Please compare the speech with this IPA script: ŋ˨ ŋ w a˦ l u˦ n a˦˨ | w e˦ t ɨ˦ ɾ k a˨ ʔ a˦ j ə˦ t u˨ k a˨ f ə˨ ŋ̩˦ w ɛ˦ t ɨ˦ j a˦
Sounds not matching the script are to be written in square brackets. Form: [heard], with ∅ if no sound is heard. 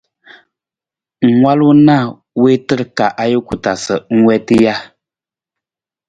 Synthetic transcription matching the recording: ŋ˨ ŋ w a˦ l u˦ n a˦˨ | w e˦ t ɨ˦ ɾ k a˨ ʔ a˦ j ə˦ [k] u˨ [t] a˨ [s] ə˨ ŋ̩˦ w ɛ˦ t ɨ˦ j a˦